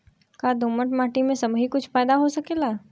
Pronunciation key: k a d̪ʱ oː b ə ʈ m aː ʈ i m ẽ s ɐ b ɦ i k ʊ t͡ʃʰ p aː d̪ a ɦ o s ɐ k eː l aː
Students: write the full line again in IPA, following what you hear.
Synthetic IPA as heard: k a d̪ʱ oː m ə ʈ m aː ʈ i m ẽ s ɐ b ɦ i k ʊ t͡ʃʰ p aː d̪ a ɦ o s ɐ k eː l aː